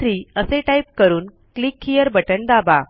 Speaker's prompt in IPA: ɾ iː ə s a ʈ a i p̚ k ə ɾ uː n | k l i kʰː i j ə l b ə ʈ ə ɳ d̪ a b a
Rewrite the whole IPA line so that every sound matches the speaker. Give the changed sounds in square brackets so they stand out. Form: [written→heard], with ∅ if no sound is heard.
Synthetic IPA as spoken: ɾ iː ə s [a→e] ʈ a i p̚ k ə ɾ uː n | k l i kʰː i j ə [l→ɾ] b ə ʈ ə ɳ d̪ a b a